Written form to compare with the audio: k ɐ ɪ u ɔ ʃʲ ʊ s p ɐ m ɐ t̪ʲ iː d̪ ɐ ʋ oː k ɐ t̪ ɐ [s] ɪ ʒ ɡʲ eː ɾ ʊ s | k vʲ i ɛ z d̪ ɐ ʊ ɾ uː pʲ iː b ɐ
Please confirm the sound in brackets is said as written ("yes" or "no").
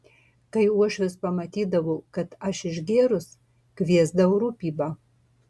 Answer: no